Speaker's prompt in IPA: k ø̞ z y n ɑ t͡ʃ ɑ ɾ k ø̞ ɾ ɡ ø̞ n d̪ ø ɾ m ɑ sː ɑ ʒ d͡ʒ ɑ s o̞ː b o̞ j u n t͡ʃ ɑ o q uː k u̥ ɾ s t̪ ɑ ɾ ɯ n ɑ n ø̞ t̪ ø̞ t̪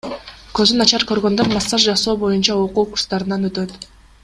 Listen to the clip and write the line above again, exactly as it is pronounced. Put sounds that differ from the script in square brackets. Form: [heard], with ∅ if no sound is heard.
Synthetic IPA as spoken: k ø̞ z y n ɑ t͡ʃ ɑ ɾ k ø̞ ɾ ɡ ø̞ n d̪ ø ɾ m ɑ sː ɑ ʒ d͡ʒ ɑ s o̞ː b o̞ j u n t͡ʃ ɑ o q uː k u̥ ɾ s t̪ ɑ ɾ ɯ n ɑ n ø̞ t̪ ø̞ t̪